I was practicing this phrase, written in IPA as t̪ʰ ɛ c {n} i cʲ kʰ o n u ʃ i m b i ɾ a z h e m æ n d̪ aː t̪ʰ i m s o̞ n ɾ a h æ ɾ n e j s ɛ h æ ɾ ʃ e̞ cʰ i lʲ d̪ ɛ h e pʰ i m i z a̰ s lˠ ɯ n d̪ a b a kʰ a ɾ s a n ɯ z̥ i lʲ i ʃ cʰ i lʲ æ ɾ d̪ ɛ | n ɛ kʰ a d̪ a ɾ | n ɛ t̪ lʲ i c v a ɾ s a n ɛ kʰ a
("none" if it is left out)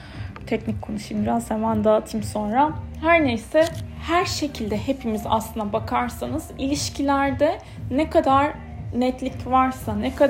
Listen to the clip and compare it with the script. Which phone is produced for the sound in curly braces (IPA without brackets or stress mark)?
n